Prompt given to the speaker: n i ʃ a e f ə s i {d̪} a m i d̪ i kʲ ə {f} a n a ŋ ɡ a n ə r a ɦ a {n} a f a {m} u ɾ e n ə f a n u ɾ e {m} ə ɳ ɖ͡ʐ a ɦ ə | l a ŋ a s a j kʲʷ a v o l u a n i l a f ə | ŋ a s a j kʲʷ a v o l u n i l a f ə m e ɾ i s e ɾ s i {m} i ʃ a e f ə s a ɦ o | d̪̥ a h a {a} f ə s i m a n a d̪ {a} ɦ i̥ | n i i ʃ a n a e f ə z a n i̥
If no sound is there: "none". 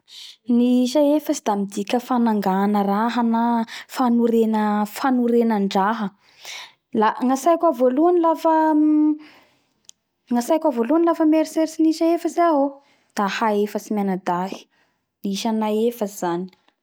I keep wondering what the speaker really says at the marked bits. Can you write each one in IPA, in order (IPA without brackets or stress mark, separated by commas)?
d̪, f, n, n, n, n, e, a